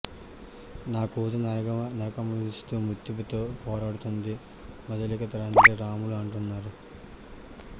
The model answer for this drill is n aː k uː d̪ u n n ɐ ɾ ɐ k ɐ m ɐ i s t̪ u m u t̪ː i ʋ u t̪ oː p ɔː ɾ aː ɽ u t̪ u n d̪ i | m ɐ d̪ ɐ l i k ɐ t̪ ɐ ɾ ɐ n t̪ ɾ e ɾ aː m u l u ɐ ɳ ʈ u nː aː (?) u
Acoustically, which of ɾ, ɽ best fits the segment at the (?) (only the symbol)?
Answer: ɾ